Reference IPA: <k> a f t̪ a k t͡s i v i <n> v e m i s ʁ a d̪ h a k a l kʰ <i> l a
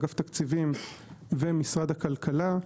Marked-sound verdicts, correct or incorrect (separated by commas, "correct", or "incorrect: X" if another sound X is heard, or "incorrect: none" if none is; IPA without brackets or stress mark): incorrect: ɡ, incorrect: m, incorrect: a